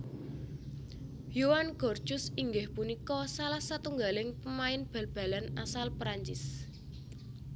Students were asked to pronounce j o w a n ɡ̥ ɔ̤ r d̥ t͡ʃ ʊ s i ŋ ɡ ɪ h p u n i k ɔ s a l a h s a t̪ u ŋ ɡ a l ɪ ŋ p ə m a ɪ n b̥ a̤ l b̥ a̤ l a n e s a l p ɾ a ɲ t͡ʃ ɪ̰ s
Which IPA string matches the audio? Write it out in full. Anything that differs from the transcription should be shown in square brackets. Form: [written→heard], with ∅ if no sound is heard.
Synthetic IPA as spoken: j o w a n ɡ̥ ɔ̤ r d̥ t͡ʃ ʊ s i ŋ ɡ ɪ h p u n i k ɔ s a l a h s a t̪ u ŋ ɡ a l ɪ ŋ p ə m a ɪ n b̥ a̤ l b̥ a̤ l a n [e→a] s a l p ɾ a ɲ t͡ʃ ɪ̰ s